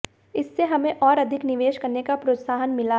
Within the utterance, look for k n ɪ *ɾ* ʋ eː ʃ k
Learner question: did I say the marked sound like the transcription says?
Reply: no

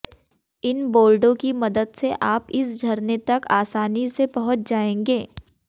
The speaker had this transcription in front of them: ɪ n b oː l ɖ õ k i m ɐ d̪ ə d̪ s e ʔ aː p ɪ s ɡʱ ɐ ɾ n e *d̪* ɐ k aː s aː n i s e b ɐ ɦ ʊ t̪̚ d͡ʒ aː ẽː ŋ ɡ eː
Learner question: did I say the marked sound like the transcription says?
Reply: no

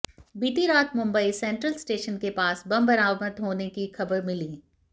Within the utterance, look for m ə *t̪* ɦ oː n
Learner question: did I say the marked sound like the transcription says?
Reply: yes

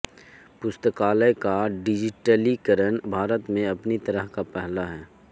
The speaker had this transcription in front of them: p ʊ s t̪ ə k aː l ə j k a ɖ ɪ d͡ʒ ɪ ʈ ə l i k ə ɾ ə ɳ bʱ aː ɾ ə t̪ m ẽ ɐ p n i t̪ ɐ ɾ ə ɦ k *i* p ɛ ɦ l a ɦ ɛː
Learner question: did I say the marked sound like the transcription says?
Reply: no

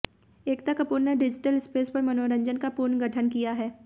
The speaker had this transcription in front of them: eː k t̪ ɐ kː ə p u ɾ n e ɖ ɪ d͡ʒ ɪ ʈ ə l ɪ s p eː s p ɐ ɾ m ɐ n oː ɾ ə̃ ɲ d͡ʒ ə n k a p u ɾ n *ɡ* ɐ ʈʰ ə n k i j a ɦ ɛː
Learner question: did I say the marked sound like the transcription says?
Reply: yes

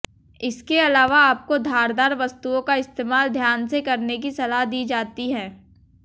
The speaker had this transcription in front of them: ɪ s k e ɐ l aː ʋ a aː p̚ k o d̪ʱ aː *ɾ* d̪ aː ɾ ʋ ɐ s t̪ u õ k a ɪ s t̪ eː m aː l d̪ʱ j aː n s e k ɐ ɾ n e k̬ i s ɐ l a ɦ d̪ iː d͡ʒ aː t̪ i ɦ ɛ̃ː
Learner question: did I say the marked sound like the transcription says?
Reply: yes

